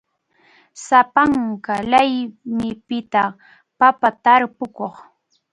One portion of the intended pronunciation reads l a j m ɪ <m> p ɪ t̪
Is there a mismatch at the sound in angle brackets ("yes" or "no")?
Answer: yes